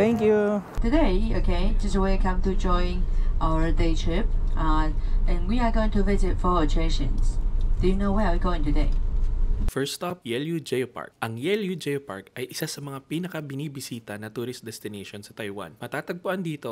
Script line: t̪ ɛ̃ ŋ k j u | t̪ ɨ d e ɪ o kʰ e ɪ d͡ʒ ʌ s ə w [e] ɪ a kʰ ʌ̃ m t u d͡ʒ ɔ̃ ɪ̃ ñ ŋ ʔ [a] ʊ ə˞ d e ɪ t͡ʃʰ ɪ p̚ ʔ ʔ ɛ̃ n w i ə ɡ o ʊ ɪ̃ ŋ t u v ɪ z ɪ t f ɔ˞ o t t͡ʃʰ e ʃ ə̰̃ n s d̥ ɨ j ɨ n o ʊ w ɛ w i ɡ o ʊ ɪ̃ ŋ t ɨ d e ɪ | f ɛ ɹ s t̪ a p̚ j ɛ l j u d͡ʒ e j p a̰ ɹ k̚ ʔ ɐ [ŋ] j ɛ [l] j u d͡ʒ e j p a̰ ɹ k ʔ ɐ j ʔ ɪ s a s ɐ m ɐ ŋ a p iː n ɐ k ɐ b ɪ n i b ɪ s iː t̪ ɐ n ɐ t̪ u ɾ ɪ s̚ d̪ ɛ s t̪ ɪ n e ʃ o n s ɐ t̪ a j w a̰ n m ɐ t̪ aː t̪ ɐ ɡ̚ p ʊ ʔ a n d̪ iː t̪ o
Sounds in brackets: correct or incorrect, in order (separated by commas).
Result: correct, correct, correct, correct